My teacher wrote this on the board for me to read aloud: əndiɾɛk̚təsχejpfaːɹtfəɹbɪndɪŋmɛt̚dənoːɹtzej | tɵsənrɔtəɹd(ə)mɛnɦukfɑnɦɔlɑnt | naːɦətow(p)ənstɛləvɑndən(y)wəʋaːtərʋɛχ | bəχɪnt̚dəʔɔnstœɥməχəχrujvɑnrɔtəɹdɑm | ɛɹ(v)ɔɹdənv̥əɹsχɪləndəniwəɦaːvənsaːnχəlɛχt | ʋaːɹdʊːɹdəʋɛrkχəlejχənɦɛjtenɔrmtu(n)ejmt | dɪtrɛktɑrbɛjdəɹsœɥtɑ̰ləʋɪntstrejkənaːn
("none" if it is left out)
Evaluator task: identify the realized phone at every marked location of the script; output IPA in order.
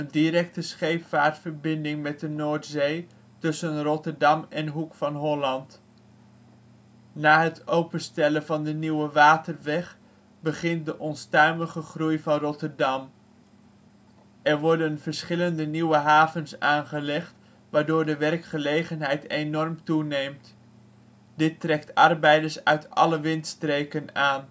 ɑ, p, i, ʋ, n

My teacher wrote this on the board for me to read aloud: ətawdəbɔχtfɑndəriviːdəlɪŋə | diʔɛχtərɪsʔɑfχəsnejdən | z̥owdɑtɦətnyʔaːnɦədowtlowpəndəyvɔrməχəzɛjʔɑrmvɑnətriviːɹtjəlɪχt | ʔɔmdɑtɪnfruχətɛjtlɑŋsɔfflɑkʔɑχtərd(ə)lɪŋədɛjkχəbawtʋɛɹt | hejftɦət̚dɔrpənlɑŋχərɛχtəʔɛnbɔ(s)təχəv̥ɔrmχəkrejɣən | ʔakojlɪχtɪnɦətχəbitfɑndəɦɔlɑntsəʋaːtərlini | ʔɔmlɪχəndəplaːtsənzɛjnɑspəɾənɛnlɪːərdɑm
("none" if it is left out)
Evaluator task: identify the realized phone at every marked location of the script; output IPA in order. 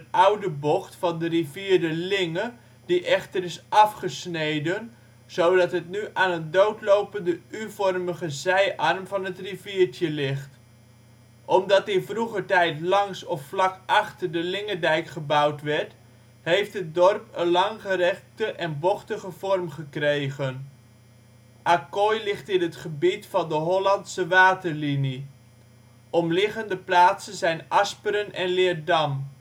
ə, χ

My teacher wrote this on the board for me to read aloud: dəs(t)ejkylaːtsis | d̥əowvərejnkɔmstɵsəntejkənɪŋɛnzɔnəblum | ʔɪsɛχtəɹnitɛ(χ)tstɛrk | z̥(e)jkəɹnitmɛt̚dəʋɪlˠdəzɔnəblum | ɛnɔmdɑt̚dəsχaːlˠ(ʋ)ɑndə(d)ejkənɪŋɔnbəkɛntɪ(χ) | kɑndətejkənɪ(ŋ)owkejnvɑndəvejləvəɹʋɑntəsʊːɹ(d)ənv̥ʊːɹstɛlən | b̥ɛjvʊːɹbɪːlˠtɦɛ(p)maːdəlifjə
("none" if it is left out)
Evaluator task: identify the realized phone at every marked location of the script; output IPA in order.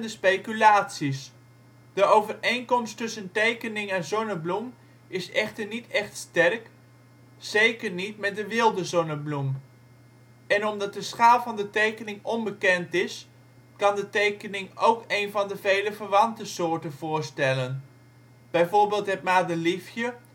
p, χ, e, v, t, s, ŋ, t, t

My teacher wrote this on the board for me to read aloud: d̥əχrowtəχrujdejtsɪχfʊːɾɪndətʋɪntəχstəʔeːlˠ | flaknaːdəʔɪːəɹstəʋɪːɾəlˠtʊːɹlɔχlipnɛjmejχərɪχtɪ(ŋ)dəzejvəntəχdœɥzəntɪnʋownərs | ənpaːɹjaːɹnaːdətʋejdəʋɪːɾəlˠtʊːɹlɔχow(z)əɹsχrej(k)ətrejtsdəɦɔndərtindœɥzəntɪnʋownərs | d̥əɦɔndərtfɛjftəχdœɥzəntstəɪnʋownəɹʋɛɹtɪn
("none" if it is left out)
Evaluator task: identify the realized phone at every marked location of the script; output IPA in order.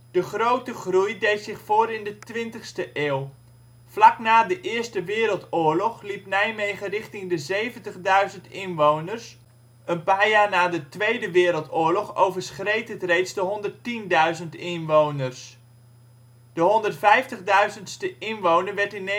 ŋ, v, t

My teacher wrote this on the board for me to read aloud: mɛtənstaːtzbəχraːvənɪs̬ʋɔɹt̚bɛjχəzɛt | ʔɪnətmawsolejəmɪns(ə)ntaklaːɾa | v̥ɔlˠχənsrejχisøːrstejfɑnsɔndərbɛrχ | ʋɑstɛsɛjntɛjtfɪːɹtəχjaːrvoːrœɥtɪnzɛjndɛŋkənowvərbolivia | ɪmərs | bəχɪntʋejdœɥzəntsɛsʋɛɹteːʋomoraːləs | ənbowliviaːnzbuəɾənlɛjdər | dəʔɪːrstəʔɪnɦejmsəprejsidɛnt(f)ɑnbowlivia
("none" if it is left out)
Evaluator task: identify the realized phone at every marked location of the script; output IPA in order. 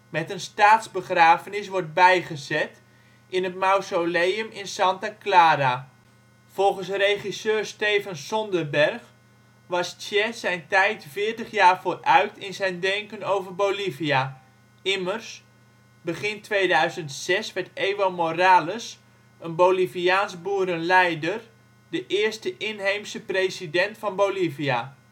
ɑ, f

